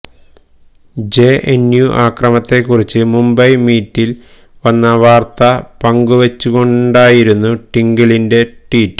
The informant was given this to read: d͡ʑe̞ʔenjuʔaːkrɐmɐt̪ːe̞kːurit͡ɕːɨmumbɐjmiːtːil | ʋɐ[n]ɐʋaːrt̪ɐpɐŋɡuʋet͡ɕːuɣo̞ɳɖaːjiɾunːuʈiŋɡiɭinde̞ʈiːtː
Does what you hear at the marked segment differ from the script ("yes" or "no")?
yes